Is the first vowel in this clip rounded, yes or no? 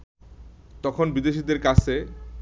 yes